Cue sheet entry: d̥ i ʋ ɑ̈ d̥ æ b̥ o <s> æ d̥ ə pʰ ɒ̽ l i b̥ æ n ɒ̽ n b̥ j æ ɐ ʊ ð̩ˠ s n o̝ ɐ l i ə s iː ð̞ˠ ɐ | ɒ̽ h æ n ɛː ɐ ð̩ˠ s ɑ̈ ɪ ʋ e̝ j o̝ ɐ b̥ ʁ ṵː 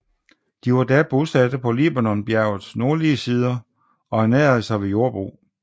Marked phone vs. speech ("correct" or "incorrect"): correct